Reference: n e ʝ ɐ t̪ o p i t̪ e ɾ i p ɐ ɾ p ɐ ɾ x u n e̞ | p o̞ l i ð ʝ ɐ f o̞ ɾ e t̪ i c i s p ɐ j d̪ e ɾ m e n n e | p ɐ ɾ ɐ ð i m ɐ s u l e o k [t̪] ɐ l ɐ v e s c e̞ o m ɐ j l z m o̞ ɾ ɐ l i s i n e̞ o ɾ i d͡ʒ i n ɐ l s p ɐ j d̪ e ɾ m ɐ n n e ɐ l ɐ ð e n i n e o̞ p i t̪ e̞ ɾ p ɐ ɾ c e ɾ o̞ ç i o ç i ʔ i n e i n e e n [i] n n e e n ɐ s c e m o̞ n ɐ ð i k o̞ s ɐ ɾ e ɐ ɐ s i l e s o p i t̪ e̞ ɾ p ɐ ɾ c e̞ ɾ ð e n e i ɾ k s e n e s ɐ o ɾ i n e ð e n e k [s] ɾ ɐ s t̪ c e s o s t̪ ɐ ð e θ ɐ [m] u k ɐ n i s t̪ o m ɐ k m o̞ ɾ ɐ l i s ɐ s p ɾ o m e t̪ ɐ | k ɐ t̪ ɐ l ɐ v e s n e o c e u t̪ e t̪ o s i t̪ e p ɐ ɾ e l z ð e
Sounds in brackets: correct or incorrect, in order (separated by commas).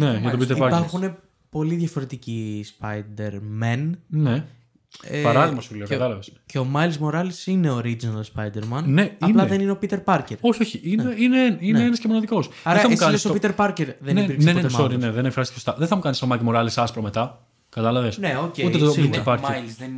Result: correct, correct, incorrect, correct